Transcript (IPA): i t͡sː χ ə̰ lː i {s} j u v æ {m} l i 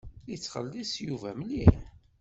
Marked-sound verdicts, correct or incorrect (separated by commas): correct, correct